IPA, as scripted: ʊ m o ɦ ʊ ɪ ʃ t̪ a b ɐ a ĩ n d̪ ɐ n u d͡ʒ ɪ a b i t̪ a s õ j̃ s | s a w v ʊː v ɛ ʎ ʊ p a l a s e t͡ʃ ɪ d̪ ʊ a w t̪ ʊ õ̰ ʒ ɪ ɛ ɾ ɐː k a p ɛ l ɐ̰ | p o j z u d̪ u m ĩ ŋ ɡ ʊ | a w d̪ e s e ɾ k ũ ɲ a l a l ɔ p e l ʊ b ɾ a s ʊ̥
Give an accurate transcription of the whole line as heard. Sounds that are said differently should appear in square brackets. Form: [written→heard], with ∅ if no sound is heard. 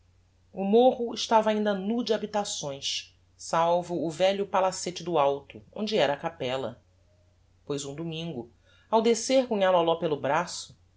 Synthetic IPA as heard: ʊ m o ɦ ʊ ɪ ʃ t̪ a [b→v] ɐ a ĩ n d̪ ɐ n u d͡ʒ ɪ a b i t̪ a s õ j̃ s | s a w v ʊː v ɛ ʎ ʊ p a l a s e t͡ʃ ɪ d̪ ʊ a w t̪ ʊ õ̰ [ʒ→d͡ʒ] ɪ ɛ ɾ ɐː k a p ɛ l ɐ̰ | p o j z [u→ũ] d̪ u m ĩ ŋ ɡ ʊ | a w d̪ e s e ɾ k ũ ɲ a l a l ɔ p e l ʊ b ɾ a s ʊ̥